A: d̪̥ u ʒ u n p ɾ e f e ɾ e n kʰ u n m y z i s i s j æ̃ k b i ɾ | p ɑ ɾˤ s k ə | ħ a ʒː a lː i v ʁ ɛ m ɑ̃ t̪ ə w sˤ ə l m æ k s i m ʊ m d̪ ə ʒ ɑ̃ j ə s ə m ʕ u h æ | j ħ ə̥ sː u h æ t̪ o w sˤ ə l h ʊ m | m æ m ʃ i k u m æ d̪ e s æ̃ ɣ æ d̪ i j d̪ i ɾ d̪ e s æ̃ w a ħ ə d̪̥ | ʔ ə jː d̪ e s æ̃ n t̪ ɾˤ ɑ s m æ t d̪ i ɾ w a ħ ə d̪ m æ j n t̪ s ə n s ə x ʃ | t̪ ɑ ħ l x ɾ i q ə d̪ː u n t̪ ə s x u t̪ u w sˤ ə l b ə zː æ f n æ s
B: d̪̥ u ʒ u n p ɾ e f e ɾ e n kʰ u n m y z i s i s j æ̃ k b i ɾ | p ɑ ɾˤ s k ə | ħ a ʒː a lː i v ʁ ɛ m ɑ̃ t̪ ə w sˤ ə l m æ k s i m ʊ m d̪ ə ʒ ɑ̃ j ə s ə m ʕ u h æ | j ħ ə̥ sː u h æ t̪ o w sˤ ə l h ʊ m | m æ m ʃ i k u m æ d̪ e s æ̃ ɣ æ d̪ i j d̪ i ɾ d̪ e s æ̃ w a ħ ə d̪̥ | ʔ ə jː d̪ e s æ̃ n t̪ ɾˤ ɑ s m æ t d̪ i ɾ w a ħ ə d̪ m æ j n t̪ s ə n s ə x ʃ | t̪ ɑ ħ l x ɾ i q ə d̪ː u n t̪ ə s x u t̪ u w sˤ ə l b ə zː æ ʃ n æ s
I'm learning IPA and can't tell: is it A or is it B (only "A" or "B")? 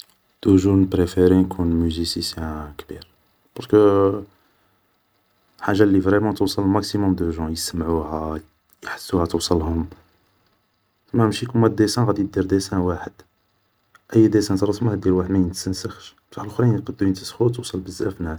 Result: A